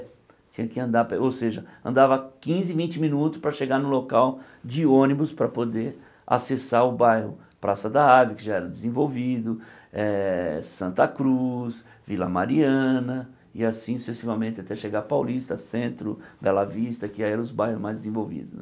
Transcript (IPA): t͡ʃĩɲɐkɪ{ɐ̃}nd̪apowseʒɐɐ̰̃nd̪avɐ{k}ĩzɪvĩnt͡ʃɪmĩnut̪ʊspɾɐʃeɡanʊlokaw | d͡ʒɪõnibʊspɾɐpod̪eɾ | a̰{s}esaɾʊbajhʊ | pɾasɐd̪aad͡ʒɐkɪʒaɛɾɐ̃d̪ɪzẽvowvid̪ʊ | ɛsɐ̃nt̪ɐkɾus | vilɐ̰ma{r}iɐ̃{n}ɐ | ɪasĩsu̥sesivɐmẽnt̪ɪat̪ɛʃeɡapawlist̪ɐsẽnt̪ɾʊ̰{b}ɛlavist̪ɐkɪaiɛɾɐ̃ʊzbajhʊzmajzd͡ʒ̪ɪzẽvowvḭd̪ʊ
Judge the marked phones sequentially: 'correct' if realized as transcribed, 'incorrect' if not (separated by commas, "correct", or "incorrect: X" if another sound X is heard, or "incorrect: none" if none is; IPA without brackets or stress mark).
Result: correct, correct, correct, incorrect: ɾ, correct, correct